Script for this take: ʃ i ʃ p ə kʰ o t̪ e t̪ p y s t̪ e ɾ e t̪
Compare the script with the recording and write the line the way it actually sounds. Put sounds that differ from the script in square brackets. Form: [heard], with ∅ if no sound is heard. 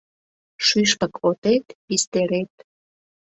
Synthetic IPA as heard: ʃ [y] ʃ p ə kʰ o t̪ e t̪ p [i] s t̪ e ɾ e t̪